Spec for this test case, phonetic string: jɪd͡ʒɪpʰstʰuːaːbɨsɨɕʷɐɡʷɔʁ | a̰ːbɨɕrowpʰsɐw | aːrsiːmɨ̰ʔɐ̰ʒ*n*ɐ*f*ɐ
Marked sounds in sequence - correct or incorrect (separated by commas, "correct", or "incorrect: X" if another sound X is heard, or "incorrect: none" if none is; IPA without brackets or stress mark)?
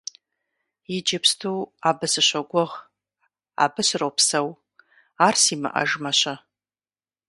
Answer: incorrect: m, incorrect: ɕ